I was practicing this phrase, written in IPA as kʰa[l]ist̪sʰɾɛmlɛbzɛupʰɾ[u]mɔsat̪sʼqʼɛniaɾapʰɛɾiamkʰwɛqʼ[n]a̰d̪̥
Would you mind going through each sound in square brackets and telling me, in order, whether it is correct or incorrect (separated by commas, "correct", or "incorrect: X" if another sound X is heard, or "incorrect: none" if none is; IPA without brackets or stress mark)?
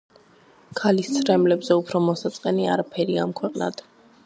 correct, incorrect: ɔ, correct